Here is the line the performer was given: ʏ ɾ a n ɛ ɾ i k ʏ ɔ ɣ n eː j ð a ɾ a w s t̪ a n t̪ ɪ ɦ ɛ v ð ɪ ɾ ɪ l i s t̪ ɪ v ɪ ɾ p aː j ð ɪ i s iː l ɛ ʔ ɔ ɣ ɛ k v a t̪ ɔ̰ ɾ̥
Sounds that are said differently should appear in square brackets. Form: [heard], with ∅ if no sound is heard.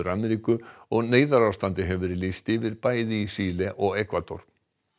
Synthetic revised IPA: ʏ ɾ a [m] ɛ ɾ i k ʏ ɔ ɣ n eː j ð a ɾ a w s t̪ a n t̪ ɪ ɦ ɛ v [v] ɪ ɾ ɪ l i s t̪ ɪ v ɪ ɾ p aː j ð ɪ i s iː l ɛ ʔ ɔ ɣ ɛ k v a t̪ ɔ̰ ɾ̥